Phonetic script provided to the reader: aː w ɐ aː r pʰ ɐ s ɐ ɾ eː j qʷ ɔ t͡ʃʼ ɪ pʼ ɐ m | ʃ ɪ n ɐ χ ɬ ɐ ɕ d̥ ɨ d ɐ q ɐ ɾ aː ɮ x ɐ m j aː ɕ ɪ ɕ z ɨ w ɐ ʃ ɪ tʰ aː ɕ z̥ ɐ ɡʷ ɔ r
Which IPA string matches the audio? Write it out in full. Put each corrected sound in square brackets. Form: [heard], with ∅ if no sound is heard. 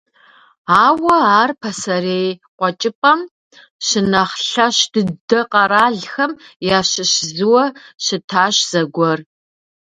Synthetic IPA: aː w ɐ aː r pʰ ɐ s ɐ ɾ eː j qʷ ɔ t͡ʃʼ ɪ pʼ ɐ m | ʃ ɪ n ɐ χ ɬ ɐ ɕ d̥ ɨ d ɐ q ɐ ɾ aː ɮ x ɐ m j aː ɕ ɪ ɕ z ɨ w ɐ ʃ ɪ tʰ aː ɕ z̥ ɐ ɡʷ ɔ r